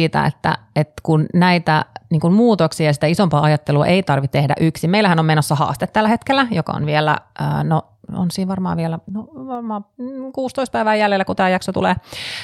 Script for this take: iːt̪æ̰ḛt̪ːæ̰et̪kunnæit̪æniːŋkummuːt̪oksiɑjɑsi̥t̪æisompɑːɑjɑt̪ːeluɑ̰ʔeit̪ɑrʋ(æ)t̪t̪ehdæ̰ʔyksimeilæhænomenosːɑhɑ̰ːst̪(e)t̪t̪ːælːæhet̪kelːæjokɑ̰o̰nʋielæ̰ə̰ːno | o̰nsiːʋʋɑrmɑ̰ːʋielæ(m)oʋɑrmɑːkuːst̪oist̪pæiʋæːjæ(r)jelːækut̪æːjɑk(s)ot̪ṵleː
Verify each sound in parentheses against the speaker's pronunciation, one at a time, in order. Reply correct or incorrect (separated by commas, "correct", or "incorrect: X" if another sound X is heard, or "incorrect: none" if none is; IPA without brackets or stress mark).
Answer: incorrect: i, correct, incorrect: n, incorrect: l, correct